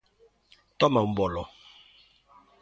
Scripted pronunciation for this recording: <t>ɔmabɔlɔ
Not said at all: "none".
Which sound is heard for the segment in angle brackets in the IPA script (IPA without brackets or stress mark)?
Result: t